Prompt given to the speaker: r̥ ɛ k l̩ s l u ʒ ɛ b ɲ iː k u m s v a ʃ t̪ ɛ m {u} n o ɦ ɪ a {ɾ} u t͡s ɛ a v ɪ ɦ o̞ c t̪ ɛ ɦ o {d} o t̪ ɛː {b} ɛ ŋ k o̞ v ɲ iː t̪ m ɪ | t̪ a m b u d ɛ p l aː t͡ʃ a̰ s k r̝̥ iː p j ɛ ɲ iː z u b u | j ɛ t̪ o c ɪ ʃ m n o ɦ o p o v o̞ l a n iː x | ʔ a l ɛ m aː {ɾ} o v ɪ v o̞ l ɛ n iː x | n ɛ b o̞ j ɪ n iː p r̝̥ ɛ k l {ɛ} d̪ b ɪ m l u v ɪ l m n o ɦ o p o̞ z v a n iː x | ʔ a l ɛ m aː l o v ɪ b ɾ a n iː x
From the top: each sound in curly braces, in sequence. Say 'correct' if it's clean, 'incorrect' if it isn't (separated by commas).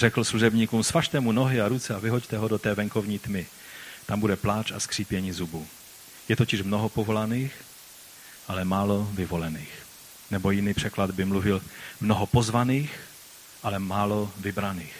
correct, correct, correct, incorrect, incorrect, incorrect